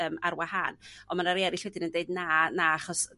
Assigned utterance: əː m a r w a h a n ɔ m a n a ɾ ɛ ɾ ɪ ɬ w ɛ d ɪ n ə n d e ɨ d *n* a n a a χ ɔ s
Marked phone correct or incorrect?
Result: correct